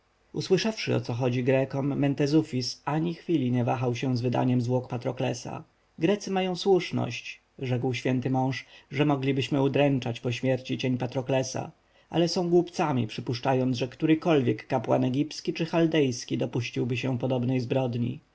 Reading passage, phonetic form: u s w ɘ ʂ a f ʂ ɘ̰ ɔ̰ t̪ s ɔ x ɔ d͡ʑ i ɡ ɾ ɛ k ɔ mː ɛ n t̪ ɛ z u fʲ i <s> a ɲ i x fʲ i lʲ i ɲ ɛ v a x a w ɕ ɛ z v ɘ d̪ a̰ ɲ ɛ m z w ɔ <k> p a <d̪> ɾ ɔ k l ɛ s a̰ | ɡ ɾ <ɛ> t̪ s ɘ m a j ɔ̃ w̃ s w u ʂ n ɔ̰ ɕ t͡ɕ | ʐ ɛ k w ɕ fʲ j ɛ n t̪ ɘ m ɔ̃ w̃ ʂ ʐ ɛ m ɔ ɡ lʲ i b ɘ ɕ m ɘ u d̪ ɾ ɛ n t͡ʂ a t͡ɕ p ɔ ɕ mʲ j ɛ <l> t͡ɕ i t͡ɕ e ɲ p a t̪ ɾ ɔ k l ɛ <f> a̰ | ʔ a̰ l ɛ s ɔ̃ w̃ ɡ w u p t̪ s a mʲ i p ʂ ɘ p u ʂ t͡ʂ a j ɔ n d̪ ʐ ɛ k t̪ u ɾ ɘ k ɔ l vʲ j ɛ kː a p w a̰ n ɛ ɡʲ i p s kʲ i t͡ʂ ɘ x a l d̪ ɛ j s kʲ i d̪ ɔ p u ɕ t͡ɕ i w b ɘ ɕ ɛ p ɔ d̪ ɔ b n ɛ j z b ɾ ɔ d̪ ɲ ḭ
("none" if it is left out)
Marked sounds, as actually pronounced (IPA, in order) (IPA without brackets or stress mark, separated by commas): s, k, t̪, ɛ, ɾ, s